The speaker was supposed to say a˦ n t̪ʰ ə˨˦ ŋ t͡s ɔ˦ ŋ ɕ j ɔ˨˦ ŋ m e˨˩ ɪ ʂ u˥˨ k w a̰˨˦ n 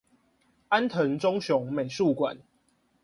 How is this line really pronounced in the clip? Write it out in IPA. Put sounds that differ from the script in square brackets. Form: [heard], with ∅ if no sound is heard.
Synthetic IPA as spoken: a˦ n t̪ʰ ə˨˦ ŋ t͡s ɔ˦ ŋ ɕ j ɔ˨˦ ŋ m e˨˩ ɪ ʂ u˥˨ k w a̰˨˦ n